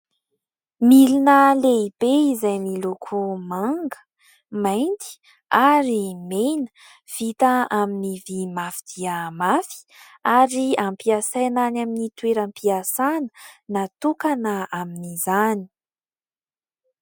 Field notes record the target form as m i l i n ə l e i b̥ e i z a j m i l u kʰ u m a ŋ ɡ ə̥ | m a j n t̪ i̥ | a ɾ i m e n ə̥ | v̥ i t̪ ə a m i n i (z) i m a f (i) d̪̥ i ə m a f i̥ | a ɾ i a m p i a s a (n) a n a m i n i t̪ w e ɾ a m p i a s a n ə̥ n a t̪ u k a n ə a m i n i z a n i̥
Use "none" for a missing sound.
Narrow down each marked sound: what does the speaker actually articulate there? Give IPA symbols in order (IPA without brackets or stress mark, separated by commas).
v, i, n